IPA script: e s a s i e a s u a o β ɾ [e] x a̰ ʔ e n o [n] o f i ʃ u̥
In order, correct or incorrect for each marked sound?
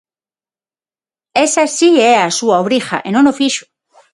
incorrect, correct

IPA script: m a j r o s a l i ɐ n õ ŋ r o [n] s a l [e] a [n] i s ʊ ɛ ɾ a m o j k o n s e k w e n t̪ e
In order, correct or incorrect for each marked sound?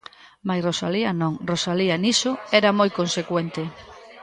incorrect, incorrect, correct

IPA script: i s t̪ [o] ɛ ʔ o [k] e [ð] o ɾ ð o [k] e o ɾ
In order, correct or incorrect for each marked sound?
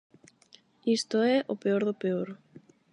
correct, incorrect, incorrect, incorrect

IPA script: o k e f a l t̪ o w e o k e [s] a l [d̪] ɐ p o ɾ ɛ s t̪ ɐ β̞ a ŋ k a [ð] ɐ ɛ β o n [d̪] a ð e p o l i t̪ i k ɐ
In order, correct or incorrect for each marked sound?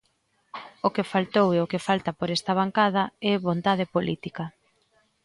incorrect, incorrect, correct, incorrect

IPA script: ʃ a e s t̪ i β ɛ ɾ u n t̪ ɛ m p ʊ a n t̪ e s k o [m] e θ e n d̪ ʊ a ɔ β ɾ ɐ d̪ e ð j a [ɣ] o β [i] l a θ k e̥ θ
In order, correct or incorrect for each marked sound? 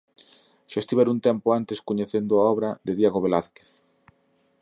incorrect, correct, incorrect

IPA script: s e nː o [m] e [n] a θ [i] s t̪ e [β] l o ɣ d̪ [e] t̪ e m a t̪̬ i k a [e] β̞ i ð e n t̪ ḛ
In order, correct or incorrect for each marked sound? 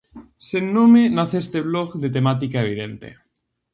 correct, correct, incorrect, correct, correct, correct

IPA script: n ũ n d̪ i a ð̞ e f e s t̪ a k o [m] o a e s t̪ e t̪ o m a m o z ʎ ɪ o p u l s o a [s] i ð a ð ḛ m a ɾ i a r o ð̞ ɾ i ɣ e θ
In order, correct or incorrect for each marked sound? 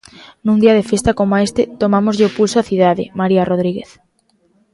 correct, incorrect

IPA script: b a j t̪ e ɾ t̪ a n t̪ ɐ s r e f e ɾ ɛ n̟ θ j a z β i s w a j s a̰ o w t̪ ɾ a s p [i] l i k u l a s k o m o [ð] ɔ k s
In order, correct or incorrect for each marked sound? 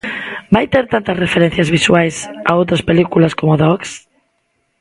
incorrect, correct

